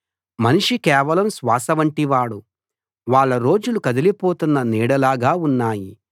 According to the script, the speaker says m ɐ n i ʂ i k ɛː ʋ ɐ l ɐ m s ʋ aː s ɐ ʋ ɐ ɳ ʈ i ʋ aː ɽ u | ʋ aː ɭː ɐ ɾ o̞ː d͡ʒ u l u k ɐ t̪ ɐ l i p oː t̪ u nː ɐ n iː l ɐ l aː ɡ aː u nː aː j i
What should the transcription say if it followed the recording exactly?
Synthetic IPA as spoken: m ɐ n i ʂ i k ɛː ʋ ɐ l ɐ m s ʋ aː s ɐ ʋ ɐ ɳ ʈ i ʋ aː ɽ u | ʋ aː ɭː ɐ ɾ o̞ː d͡ʒ u l u k ɐ d̪ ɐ l i p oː t̪ u nː ɐ n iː ɽ ɐ l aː ɡ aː u nː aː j i